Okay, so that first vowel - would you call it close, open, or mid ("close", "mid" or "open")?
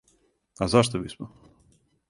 open